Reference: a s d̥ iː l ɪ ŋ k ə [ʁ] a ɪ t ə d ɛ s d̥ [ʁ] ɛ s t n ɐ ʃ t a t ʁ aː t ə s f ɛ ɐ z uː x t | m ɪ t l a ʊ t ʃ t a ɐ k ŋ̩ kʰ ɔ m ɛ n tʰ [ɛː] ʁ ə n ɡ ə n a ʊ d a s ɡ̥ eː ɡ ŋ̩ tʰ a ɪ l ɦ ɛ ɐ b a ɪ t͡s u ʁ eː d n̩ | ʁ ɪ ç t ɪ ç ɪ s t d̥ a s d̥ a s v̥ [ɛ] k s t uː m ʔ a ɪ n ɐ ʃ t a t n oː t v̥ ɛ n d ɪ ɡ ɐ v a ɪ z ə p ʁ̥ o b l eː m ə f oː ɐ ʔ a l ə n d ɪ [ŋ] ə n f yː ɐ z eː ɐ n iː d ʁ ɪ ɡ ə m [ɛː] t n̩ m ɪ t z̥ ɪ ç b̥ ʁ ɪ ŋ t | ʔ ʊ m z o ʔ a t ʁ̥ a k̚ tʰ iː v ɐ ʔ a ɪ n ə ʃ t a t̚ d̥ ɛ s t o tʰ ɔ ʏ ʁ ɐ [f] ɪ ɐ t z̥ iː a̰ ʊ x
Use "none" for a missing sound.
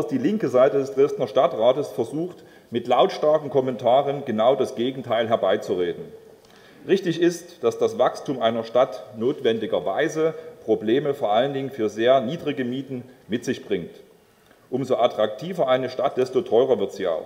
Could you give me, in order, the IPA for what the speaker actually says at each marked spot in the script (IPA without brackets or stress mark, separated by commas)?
z, ʁ, aː, a, ŋ, iː, v